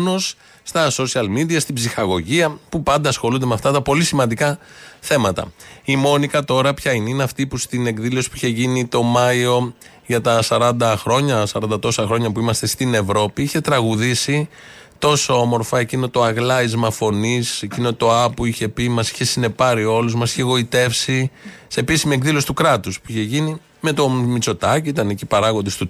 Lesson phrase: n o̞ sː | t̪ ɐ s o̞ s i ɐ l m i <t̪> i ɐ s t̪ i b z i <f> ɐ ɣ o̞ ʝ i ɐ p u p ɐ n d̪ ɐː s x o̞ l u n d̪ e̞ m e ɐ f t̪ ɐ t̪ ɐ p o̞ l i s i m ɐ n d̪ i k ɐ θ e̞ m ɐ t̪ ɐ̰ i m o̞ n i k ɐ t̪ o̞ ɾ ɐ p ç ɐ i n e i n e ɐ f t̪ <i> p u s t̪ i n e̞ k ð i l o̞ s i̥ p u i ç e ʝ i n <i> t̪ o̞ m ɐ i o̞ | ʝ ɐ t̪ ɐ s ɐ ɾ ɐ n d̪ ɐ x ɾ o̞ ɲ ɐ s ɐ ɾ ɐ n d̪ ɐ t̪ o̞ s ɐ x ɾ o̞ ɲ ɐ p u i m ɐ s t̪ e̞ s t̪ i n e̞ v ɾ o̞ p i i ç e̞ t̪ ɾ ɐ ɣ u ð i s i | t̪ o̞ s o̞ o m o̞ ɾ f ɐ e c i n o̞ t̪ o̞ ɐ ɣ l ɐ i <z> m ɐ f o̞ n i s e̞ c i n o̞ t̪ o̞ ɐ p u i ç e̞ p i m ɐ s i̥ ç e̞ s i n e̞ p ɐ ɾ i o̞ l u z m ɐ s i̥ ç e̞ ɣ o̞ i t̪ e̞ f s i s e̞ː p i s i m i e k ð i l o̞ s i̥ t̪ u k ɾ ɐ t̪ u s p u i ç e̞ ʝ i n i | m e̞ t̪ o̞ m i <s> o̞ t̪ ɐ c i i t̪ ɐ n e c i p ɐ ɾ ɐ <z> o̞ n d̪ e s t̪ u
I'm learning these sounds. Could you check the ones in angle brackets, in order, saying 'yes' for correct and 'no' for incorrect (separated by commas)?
no, no, yes, yes, yes, no, no